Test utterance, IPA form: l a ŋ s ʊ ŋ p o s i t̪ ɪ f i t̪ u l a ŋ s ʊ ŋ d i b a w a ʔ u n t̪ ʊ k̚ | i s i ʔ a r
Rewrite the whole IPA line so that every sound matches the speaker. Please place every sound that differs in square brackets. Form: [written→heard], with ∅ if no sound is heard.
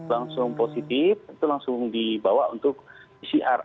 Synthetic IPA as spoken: l a ŋ s ʊ ŋ p o s i t̪ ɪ f i t̪ u l a ŋ s ʊ ŋ d i b a w a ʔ u n t̪ ʊ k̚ | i s i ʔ a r